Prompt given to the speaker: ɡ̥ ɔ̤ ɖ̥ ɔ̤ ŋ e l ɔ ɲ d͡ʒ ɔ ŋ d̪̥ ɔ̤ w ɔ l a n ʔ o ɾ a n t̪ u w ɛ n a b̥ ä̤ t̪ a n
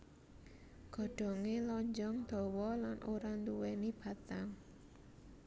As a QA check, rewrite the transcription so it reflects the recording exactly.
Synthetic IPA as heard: ɡ̥ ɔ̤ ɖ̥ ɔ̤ ŋ e l ɔ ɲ d͡ʒ ɔ ŋ d̪̥ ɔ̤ w ɔ l a n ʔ o ɾ a n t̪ u w ɛ n i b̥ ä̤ t̪ a ŋ